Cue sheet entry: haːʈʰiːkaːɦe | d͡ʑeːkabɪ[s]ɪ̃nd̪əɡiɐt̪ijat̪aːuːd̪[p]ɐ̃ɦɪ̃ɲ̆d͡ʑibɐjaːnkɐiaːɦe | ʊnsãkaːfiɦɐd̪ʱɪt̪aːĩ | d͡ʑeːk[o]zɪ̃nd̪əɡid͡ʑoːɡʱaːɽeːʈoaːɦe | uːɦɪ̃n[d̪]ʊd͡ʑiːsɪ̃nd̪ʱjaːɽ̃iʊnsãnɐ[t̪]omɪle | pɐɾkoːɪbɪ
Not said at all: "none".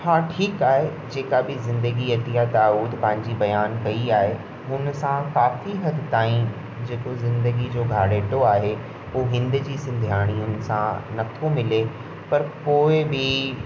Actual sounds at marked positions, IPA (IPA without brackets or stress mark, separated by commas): z, p, o, d̪, t̪ʰ